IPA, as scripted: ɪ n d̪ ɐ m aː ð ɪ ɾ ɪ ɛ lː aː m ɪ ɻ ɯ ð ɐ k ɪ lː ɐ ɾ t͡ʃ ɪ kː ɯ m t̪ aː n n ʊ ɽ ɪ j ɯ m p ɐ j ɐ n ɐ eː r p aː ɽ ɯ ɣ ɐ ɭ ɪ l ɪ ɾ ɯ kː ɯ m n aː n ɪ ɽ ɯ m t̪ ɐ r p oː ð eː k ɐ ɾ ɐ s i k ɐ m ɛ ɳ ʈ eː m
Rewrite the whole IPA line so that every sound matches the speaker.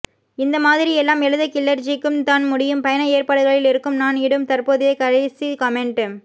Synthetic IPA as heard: ɪ n d̪ ɐ m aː ð ɪ ɾ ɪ ɛ lː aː m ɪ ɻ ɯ ð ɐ k ɪ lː ɐ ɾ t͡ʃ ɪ kː ɯ m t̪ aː n m ʊ ɽ ɪ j ɯ m p ɐ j ɐ n ɐ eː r p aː ɽ ɯ ɣ ɐ ɭ ɪ l ɪ ɾ ɯ kː ɯ m n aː n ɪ ɽ ɯ m t̪ ɐ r p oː ð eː k ɐ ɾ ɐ s i k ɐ m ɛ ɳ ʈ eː m